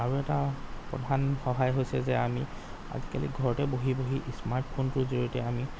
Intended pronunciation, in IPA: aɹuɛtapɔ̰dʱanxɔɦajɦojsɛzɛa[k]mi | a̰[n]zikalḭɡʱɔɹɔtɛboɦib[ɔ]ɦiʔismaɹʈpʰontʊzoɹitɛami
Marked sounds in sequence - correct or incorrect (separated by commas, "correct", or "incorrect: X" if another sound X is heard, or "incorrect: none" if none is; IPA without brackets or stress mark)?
incorrect: none, incorrect: none, incorrect: o